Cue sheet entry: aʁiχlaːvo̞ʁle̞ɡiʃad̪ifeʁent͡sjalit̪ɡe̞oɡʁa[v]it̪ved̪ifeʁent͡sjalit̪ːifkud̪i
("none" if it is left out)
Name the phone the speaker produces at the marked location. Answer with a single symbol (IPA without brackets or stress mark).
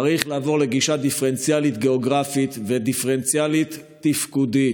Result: f